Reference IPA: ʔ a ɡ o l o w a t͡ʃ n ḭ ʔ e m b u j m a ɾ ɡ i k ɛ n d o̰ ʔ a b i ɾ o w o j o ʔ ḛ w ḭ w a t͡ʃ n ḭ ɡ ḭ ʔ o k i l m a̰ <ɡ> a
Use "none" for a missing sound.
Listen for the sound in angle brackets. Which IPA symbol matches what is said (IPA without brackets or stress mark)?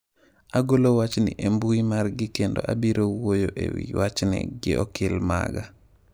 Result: ɡ